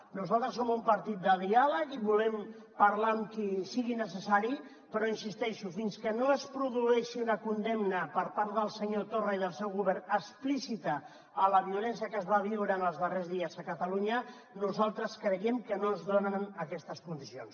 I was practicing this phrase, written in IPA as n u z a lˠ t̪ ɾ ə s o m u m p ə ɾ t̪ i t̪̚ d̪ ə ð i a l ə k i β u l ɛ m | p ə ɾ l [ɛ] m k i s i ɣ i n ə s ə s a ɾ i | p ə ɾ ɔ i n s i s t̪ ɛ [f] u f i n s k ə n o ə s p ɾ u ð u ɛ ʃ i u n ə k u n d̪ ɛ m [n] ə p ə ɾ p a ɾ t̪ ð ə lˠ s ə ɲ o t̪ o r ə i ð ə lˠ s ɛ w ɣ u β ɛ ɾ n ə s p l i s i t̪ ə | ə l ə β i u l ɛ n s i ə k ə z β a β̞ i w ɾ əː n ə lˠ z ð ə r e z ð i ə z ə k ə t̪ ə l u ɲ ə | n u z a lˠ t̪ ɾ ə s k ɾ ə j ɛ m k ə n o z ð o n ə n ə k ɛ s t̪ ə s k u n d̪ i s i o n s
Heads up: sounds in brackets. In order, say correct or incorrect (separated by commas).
incorrect, incorrect, correct